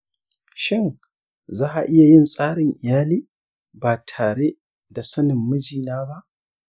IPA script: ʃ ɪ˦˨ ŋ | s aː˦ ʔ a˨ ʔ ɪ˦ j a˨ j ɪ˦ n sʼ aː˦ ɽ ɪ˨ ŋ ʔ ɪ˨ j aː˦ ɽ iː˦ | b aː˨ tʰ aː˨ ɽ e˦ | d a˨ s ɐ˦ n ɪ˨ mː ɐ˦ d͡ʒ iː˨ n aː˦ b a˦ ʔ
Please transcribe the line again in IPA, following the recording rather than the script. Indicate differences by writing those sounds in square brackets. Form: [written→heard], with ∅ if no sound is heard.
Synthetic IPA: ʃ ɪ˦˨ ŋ | [s→z] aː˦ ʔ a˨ ʔ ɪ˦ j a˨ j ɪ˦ n sʼ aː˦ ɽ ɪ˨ ŋ ʔ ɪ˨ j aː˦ [ɽ→l] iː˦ | b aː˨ tʰ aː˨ ɽ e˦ | d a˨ s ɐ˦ n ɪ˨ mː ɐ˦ d͡ʒ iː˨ n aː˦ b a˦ ʔ